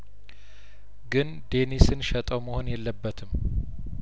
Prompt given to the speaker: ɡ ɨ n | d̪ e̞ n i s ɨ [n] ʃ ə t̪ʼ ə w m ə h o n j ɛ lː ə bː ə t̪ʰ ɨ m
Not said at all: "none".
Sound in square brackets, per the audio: n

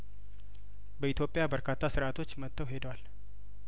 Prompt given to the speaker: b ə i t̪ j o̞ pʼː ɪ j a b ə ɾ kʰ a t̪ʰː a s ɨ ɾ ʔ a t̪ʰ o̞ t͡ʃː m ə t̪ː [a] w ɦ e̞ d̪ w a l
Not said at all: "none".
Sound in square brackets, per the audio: ə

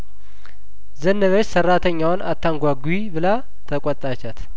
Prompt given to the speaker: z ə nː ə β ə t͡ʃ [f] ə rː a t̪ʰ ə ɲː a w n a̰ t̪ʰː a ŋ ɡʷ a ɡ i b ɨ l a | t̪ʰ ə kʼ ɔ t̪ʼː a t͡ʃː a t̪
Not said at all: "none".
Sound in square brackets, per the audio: s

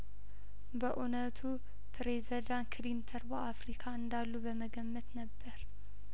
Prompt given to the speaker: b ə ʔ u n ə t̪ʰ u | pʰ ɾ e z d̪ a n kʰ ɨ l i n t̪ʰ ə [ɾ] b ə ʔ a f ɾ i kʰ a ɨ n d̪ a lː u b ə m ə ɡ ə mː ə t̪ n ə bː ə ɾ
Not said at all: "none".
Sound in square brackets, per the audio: ɾ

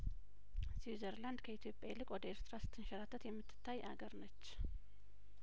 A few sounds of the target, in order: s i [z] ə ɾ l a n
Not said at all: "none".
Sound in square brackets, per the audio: z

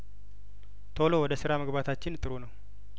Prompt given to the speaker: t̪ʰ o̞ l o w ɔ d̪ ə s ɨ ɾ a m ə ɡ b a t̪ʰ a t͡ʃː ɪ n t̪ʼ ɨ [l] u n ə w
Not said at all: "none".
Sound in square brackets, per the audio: ɾ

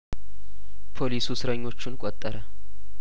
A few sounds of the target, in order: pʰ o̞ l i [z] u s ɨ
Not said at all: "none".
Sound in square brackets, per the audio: s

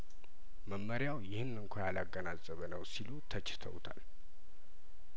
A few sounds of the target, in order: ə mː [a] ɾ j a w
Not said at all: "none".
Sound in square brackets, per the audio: ə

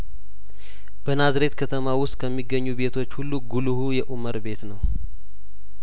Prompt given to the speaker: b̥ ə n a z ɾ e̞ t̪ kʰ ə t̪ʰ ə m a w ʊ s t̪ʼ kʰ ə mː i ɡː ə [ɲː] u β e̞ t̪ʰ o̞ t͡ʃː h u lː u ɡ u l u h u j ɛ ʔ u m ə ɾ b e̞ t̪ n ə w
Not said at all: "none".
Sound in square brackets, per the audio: ɲː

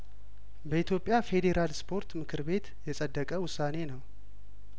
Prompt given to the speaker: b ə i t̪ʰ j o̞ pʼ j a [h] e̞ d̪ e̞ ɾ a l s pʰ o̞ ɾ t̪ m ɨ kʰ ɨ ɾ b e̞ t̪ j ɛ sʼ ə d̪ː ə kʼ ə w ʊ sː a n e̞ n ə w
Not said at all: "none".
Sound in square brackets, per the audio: f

